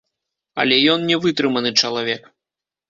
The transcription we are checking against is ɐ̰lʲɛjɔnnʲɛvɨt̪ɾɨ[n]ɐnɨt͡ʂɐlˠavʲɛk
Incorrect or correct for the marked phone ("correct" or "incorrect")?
incorrect